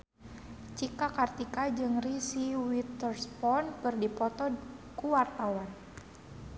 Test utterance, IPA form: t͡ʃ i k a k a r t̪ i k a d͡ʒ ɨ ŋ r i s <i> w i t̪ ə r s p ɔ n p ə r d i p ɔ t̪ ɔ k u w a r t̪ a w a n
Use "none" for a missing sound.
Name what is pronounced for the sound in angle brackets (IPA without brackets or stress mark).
i